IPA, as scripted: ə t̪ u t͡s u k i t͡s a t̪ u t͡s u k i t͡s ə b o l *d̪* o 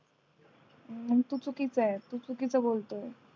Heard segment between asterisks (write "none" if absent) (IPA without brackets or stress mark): t̪